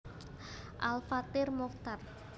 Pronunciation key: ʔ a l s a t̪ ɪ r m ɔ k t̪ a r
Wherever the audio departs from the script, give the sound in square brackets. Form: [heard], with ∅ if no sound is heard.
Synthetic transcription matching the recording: ʔ a l [f] a t̪ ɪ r m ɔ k t̪ a r